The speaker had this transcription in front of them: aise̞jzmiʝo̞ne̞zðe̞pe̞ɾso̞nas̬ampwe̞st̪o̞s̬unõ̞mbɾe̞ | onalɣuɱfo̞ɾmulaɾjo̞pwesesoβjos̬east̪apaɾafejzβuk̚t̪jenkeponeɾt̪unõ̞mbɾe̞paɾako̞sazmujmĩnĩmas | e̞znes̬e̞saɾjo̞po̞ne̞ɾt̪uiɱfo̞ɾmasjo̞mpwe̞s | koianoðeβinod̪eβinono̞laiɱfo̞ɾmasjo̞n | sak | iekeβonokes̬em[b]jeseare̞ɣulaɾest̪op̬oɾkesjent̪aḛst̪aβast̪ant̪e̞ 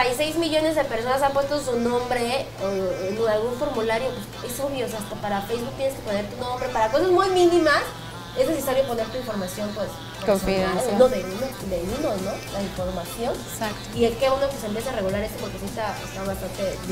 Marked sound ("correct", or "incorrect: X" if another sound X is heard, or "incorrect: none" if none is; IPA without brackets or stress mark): incorrect: p